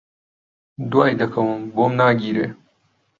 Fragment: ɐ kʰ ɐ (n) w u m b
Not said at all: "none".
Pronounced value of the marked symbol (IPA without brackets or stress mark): none